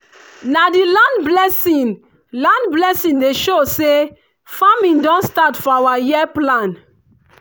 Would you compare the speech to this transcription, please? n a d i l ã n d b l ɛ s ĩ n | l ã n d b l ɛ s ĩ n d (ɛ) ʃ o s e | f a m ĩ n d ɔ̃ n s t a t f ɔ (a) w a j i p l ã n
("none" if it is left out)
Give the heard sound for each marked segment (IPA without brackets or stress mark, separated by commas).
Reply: e, a